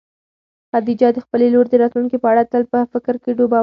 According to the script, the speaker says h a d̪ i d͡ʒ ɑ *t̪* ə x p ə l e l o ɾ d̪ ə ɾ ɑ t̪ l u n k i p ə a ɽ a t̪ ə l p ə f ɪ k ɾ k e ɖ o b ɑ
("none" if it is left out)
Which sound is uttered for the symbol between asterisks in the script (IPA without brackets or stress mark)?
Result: d̪